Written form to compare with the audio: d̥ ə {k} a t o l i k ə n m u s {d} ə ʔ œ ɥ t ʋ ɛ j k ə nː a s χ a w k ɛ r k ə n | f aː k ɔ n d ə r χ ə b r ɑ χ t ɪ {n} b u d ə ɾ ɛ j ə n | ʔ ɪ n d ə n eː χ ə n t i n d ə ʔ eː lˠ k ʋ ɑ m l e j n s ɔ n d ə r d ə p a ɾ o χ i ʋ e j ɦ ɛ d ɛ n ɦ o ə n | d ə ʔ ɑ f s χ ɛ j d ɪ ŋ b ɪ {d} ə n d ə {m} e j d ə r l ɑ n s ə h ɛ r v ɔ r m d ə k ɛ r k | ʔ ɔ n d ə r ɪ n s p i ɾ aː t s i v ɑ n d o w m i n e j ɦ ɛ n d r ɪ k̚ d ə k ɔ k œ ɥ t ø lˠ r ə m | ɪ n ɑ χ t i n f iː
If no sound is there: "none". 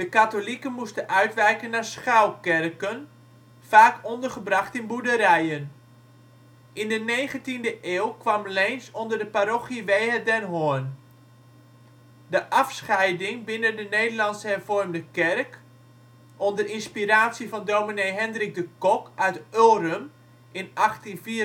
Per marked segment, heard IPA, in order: k, t, n, n, n

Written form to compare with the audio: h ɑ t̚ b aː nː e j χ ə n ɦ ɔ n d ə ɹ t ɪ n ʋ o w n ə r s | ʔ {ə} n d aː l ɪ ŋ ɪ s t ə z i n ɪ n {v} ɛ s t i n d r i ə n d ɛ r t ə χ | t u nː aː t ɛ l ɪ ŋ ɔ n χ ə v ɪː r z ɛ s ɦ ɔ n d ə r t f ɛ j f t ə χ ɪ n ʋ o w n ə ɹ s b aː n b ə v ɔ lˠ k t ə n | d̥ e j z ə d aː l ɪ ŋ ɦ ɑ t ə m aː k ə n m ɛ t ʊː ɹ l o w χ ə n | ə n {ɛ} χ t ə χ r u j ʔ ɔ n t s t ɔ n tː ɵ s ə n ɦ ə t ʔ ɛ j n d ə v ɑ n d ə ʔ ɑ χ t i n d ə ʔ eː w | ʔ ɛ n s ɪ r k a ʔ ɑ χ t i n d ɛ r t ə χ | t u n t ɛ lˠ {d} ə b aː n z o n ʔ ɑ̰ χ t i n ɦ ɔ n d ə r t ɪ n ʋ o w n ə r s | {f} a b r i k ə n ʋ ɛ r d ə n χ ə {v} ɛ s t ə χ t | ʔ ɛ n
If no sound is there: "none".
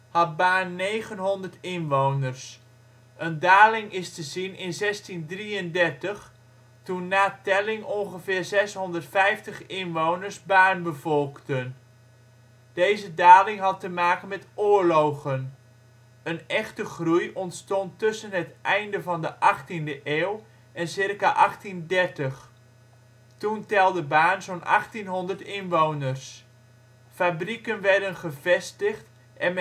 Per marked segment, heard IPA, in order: ə, z, ɛ, d, f, v

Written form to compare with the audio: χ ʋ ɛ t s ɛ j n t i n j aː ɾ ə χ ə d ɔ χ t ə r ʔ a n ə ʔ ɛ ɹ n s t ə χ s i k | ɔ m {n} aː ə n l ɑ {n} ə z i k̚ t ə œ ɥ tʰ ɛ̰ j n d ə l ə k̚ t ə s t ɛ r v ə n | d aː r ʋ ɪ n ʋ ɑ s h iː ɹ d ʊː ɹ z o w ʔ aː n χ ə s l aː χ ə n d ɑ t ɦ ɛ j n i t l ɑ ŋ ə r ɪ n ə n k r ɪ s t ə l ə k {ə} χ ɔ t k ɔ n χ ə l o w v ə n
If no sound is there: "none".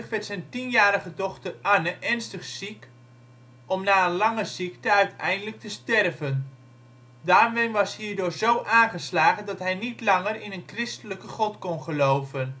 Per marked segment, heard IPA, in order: n, ŋ, ə

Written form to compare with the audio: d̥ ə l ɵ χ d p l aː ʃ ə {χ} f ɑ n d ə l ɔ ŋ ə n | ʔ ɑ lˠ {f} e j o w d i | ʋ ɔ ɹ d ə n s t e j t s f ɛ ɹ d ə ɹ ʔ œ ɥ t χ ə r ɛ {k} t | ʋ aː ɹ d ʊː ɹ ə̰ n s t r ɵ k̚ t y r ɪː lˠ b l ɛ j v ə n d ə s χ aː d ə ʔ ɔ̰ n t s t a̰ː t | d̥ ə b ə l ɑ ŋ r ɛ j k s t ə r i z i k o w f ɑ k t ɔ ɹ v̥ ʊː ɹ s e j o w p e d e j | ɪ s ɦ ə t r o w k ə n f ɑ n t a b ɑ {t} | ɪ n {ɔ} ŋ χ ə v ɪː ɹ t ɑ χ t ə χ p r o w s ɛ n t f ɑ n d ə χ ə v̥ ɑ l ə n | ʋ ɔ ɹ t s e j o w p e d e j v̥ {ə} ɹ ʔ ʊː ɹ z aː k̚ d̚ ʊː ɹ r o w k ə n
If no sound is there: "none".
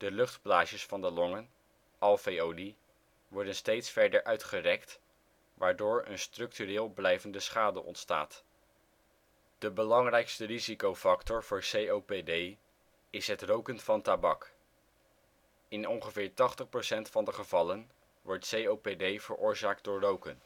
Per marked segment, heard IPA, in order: s, f, k, k, ɔ, ə

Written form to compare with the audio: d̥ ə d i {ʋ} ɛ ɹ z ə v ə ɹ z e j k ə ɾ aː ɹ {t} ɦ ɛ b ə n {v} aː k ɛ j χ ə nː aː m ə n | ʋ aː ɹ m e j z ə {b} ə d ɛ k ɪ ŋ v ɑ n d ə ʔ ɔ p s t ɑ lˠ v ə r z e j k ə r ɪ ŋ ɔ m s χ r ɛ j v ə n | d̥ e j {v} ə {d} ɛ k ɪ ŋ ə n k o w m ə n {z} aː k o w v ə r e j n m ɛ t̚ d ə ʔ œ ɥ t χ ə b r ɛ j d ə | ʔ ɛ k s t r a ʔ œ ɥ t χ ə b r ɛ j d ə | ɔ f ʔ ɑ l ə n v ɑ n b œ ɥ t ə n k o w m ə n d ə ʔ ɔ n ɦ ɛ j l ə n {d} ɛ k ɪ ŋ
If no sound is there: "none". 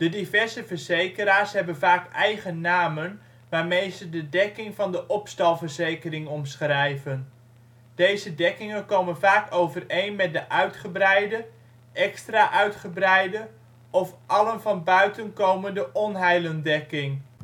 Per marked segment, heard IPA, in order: v, s, v, d, z, d, v, d

